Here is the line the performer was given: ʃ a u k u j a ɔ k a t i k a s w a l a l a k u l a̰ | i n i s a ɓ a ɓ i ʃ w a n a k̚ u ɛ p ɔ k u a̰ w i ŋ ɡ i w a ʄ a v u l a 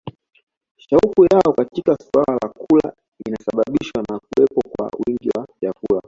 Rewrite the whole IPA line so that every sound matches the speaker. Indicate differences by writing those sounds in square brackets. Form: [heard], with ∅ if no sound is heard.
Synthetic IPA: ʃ a u k u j a ɔ k a t i k a s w a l a l a k u l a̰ | i n [a] s a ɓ a ɓ i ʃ w a n a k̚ u ɛ p ɔ k [w] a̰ w i ŋ ɡ i w a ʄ a v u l a